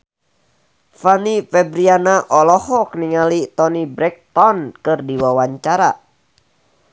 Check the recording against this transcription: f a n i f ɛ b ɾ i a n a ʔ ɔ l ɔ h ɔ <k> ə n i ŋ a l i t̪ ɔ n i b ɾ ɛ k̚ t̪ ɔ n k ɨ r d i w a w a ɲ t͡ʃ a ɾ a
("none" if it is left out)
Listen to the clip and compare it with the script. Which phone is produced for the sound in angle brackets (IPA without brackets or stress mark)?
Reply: k